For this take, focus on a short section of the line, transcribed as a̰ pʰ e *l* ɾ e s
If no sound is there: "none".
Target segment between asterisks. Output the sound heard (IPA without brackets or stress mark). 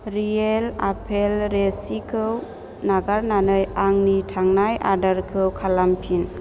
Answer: l